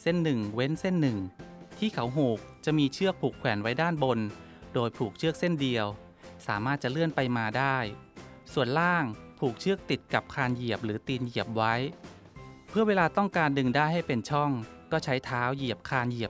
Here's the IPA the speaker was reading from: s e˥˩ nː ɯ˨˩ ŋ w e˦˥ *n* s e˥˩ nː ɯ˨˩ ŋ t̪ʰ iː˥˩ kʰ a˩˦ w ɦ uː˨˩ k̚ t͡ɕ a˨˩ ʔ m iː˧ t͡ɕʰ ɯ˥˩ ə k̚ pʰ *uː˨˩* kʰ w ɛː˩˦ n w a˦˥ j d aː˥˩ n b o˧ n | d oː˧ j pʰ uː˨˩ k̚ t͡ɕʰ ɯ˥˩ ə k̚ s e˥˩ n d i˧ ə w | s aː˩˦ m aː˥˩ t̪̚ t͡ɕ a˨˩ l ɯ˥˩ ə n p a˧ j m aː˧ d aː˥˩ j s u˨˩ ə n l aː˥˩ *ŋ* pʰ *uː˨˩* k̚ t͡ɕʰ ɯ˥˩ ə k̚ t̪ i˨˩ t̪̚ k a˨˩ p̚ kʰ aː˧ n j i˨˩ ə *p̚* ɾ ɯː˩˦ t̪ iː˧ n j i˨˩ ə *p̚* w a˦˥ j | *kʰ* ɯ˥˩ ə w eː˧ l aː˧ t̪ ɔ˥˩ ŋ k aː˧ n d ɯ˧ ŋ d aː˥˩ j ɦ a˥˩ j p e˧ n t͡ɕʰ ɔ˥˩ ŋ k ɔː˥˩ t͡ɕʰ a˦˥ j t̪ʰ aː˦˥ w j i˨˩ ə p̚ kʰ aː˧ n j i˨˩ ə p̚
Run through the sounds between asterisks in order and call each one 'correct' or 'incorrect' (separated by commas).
correct, correct, correct, correct, correct, correct, incorrect